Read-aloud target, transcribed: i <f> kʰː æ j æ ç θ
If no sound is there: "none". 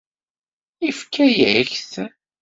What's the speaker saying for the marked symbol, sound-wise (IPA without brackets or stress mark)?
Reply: f